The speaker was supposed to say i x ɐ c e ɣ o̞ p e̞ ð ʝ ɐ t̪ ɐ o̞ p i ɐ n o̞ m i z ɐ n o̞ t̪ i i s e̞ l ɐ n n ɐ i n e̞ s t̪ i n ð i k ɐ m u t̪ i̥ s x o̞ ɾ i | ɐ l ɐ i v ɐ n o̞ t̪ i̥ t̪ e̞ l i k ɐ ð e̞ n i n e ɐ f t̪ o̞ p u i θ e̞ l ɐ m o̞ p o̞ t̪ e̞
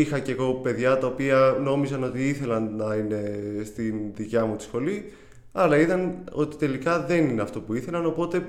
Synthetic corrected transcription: i x ɐ c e ɣ o̞ p e̞ ð ʝ ɐ t̪ ɐ o̞ p i ɐ n o̞ m i z ɐ n o̞ t̪ i i θ e̞ l ɐ n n ɐ i n e̞ s t̪ i n ð i c ɐ m u t̪ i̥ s x o̞ l i | ɐ l ɐ i ð ɐ n o̞ t̪ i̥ t̪ e̞ l i k ɐ ð e̞ n i n e ɐ f t̪ o̞ p u i θ e̞ l ɐ n o̞ p o̞ t̪ e̞